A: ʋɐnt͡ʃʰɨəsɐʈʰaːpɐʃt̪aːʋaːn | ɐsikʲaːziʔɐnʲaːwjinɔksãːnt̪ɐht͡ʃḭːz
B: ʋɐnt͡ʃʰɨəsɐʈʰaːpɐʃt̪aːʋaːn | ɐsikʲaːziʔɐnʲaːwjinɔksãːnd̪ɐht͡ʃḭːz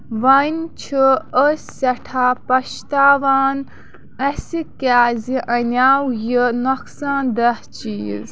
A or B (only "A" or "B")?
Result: B